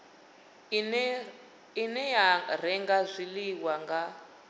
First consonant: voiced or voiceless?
voiced